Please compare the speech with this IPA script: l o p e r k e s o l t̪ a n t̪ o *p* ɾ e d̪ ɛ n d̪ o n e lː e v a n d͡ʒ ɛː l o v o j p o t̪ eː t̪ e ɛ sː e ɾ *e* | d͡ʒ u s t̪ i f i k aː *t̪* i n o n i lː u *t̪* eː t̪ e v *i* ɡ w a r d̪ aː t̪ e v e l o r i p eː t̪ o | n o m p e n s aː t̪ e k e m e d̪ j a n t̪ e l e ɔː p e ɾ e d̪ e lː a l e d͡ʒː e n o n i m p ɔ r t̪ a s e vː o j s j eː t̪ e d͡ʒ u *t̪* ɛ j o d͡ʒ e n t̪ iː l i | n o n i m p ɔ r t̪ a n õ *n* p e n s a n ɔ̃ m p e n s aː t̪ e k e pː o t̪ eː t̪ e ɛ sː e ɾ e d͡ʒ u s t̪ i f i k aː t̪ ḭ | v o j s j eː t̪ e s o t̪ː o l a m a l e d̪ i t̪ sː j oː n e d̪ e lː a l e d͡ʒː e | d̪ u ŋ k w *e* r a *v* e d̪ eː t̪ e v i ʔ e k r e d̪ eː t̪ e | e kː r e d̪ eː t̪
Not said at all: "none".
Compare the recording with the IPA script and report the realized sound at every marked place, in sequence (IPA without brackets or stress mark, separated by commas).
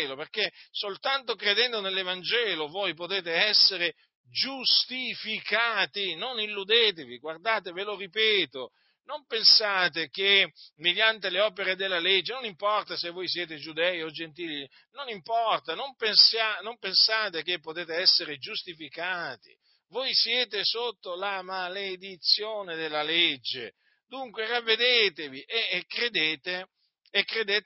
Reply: k, e, t̪, d̪, i, d̪, m, e, vː